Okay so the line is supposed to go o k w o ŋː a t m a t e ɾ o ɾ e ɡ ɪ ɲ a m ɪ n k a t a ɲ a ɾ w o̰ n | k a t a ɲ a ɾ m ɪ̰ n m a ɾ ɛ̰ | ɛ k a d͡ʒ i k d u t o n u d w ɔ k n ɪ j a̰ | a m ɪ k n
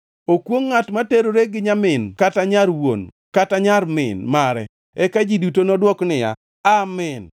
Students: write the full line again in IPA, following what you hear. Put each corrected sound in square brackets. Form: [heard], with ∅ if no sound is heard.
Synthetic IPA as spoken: o k w o ŋː a t m a t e ɾ o ɾ e ɡ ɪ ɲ a m ɪ n k a t a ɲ a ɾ w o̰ n | k a t a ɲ a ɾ m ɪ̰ n m a ɾ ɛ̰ | ɛ k a d͡ʒ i [∅] d u t o n [ɔ] d w ɔ k n ɪ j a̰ | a m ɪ [∅] n